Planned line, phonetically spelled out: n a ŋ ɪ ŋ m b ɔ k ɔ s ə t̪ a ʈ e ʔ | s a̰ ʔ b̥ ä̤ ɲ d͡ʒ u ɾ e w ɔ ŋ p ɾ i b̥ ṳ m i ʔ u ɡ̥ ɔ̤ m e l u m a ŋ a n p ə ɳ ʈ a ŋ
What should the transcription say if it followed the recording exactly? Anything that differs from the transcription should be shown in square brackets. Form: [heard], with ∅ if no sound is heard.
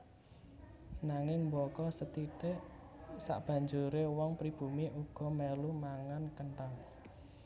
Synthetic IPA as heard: n a ŋ ɪ ŋ m b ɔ k ɔ s ə t̪ [i] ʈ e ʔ | s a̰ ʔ b̥ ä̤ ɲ d͡ʒ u ɾ e w ɔ ŋ p ɾ i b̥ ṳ m i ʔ u ɡ̥ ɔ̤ m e l u m a ŋ a n [k] ə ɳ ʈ a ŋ